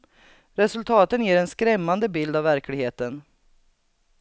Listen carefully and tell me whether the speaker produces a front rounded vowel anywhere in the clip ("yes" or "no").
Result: no